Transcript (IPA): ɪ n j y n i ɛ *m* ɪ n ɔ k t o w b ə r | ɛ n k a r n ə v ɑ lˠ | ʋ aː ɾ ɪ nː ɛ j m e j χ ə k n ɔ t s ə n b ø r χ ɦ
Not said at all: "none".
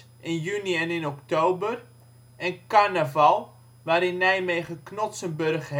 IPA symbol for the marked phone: n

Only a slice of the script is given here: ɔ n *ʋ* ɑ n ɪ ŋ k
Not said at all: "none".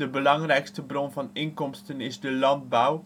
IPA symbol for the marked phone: v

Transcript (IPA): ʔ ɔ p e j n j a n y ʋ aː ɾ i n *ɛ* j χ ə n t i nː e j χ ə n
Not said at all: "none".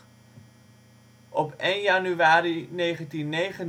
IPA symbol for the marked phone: e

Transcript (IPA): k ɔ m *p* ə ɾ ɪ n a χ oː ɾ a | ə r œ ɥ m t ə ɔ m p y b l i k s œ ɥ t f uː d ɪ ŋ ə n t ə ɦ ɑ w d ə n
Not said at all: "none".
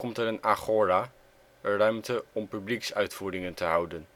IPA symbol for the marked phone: t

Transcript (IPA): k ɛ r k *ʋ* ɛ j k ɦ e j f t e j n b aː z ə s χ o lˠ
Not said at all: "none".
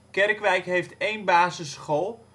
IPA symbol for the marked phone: ʋ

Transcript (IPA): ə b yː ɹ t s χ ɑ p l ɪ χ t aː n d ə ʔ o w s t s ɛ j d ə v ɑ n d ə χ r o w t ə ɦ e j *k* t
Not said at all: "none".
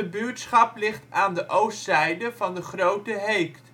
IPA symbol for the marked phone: k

